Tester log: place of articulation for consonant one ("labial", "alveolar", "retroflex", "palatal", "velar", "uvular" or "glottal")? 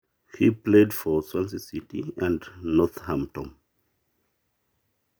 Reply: glottal